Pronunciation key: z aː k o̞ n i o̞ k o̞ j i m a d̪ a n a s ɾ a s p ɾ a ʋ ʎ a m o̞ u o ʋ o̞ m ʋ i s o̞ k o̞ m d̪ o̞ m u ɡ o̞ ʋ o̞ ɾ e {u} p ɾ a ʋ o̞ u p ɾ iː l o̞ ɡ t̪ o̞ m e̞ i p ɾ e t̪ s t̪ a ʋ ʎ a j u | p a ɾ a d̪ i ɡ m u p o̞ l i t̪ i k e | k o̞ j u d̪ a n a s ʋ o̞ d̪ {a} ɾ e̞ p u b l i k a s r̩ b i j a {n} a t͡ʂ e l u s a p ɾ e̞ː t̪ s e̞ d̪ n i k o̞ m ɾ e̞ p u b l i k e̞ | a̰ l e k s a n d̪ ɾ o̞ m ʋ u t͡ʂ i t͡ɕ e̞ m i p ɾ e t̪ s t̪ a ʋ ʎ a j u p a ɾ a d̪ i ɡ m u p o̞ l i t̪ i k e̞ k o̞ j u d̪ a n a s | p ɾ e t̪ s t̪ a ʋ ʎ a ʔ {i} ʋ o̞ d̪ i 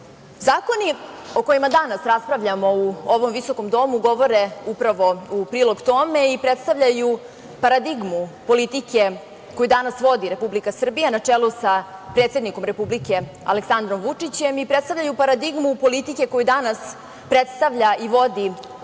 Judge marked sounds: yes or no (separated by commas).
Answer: yes, no, yes, yes